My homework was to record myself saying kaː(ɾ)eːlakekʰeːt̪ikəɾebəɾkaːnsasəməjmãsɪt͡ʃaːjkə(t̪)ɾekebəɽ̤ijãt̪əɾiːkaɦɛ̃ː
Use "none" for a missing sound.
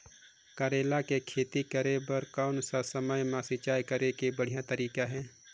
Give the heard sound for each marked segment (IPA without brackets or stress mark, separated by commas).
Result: ɾ, none